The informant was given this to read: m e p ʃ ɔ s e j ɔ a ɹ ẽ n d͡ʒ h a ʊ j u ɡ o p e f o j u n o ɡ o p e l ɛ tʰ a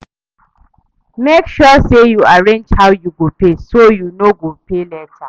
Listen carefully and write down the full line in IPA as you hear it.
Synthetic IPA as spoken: m e k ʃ ɔ s e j u a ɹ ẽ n d͡ʒ h a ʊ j u ɡ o p e s o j u n o ɡ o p e l ɛ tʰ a

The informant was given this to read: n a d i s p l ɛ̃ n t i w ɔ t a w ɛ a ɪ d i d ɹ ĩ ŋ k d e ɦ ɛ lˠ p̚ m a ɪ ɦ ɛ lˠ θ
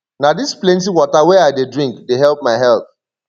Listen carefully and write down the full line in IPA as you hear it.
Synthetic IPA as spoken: n a d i s p l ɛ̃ n t i w ɔ t a w ɛ a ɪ d e d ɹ ĩ ŋ k d e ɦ ɛ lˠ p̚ m a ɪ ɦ ɛ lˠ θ

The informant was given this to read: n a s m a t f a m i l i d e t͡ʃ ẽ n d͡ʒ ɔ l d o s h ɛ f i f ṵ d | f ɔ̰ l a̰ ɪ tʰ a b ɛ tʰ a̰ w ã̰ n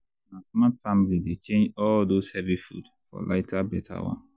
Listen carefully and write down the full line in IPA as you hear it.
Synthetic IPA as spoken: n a s m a t f a m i l i d e t͡ʃ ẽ n d͡ʒ ɔ l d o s h ɛ v i f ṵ d | f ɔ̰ l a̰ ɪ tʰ a b ɛ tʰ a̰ w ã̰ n

